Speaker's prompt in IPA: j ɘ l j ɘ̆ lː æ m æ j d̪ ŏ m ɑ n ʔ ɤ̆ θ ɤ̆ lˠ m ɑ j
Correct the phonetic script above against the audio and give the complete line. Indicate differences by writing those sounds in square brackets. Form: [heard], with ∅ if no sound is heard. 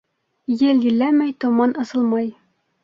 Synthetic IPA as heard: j ɘ l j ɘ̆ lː æ m æ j [t̪] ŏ m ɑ n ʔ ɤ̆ [s] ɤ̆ lˠ m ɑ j